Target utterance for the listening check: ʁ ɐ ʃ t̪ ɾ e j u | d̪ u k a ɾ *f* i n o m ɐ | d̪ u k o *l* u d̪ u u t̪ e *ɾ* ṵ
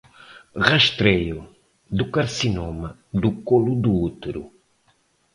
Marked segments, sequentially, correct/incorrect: incorrect: s, correct, correct

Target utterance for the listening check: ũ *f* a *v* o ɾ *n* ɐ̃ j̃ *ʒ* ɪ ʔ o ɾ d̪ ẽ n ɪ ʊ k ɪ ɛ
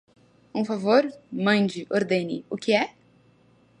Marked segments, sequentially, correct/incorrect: correct, correct, incorrect: m, incorrect: d͡ʒ

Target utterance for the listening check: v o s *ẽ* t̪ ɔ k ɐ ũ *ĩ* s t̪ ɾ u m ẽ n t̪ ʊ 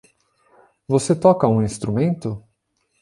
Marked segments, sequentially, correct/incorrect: incorrect: e, correct

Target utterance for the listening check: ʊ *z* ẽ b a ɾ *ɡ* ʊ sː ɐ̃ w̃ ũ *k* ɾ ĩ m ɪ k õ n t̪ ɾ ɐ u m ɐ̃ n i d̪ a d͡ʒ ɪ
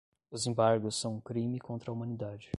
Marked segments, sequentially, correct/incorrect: correct, correct, correct

